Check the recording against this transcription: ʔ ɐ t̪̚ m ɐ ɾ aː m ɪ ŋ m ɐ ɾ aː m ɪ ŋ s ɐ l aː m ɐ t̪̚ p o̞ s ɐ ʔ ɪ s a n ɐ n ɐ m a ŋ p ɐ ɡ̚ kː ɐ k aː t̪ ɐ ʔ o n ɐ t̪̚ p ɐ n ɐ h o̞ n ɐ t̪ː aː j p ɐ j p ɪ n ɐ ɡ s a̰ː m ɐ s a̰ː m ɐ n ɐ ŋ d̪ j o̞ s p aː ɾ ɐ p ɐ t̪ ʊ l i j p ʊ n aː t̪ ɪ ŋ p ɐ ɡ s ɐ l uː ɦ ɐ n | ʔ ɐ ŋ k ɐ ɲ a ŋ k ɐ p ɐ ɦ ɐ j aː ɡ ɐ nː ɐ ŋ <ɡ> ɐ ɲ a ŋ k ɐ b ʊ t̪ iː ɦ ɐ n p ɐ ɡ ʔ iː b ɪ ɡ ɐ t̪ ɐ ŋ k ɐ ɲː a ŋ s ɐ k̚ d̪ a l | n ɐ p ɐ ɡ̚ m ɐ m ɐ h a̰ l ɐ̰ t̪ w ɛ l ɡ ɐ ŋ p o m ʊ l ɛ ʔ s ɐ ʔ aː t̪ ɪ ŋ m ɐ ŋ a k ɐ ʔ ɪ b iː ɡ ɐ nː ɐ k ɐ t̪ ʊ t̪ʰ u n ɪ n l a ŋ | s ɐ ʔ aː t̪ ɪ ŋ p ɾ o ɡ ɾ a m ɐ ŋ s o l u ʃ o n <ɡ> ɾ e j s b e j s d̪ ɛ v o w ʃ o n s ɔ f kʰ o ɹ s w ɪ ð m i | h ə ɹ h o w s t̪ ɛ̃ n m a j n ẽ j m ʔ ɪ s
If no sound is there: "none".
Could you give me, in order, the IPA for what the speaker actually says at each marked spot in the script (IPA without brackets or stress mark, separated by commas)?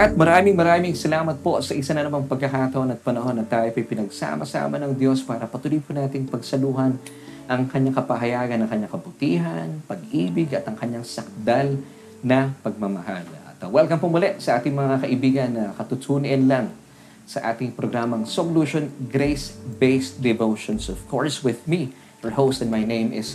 k, ɡ